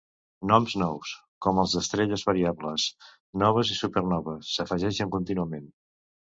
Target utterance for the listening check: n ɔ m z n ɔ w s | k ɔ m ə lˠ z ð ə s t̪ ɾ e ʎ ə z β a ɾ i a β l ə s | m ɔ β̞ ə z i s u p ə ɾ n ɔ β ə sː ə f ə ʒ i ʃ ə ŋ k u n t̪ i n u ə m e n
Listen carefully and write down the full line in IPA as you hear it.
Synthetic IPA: n ɔ m z n ɔ w s | k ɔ m ə lˠ z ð ə s t̪ ɾ e ʎ ə z β ə ɾ i a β l ə s | n ɔ β̞ ə z i s u p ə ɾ n ɔ β ə sː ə f ə ʒ ɛ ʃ ə ŋ k u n t̪ i n u ə m e n